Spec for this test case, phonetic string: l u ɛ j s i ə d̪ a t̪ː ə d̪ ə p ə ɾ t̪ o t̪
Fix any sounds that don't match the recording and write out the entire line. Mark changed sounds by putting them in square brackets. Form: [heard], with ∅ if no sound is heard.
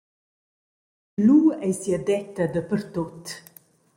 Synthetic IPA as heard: l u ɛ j s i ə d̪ [ɛ] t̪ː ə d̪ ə p ə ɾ t̪ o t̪